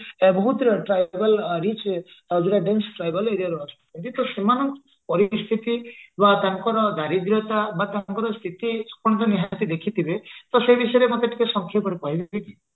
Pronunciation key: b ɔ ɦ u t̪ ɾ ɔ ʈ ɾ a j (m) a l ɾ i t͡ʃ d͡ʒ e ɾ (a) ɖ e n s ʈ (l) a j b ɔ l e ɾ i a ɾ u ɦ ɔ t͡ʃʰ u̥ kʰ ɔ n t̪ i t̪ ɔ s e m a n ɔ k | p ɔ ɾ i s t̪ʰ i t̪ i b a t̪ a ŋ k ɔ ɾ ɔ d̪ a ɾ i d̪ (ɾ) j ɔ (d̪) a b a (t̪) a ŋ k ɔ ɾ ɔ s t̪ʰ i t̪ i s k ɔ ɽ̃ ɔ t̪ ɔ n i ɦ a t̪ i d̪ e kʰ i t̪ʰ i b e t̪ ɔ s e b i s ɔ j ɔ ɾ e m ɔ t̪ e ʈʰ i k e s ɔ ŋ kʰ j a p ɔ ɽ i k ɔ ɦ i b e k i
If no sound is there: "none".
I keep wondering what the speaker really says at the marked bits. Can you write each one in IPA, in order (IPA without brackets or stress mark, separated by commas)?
b, a, ɾ, ɾ, t̪, t̪